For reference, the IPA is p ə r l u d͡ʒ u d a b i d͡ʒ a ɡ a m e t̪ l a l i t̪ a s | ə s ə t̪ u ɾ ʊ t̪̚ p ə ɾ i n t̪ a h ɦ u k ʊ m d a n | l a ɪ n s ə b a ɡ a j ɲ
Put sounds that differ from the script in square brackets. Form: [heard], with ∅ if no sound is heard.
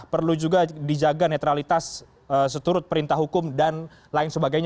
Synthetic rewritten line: p ə r l u d͡ʒ u [ɡ] a [d] i d͡ʒ a ɡ a [n] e t̪ [ɾ] a l i t̪ a s | ə s ə t̪ u ɾ ʊ t̪̚ p ə ɾ i n t̪ a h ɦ u k ʊ m d a n | l a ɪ n s ə b a ɡ a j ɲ